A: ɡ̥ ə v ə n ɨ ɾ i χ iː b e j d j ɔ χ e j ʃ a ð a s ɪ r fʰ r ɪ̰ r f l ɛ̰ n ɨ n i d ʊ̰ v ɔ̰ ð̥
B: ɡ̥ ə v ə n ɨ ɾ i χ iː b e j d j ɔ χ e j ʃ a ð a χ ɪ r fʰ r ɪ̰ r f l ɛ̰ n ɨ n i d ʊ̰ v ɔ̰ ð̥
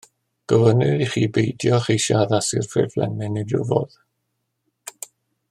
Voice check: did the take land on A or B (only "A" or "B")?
A